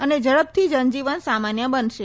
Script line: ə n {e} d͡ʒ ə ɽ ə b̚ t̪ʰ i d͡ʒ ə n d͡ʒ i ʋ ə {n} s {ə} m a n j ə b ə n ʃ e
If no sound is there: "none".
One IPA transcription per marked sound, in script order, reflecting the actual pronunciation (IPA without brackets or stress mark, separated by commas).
e, n, a